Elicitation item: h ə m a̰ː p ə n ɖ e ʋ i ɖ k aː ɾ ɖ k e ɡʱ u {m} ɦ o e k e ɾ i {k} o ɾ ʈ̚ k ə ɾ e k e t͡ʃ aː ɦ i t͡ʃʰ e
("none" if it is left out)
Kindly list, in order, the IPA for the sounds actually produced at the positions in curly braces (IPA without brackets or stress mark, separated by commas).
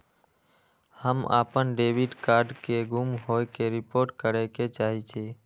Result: m, p